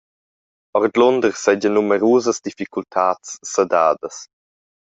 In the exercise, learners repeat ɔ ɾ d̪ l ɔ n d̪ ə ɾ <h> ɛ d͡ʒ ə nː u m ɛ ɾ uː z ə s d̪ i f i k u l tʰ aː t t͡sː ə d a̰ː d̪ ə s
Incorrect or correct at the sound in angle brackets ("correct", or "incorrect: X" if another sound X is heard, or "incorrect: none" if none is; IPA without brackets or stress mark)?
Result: incorrect: s